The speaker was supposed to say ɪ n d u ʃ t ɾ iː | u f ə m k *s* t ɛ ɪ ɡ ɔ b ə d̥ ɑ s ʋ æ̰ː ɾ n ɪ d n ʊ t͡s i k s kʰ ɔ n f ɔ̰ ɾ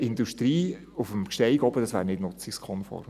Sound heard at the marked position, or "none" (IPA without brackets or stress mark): ʃ